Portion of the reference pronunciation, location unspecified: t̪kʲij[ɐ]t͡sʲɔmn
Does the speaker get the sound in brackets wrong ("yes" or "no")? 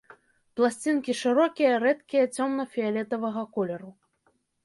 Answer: no